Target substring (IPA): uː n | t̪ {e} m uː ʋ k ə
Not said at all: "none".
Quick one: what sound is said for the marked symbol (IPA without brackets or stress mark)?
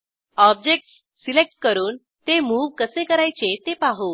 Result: e